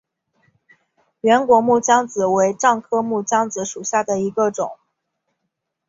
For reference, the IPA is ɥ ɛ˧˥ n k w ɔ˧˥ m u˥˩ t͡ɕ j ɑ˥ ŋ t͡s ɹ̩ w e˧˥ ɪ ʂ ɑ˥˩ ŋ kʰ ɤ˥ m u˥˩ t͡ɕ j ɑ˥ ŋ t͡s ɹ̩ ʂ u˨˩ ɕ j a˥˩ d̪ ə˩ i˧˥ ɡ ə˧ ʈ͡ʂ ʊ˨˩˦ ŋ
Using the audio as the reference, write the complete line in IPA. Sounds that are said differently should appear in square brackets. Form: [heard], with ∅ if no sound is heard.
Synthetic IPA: ɥ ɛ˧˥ n k w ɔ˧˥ m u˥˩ t͡ɕ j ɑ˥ ŋ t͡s ɹ̩ w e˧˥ ɪ [ʈ͡ʂ] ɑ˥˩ ŋ kʰ ɤ˥ m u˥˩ t͡ɕ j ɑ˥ ŋ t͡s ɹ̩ ʂ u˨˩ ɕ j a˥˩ d̪ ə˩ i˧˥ ɡ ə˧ ʈ͡ʂ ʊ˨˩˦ ŋ